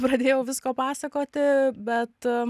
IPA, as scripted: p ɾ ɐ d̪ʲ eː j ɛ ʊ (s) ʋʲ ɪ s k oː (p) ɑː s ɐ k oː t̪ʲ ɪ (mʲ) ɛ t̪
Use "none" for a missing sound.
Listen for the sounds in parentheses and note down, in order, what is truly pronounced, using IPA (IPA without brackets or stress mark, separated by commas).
none, p, bʲ